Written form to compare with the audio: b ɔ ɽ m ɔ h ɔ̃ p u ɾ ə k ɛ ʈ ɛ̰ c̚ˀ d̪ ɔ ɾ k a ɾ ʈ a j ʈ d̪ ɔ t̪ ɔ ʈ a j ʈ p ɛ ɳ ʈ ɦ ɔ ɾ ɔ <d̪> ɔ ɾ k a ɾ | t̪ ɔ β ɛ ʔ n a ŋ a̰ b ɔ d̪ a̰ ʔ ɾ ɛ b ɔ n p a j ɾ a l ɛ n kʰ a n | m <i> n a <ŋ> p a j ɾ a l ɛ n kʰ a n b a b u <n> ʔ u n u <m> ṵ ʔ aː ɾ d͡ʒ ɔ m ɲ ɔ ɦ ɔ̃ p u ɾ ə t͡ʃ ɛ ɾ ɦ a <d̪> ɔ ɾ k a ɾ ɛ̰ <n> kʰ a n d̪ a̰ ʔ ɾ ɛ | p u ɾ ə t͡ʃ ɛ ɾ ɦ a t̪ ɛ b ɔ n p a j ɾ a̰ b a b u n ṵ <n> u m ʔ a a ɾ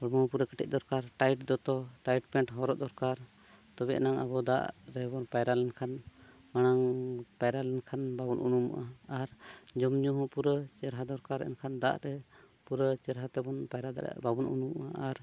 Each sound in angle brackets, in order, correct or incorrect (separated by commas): correct, incorrect, correct, correct, correct, correct, correct, correct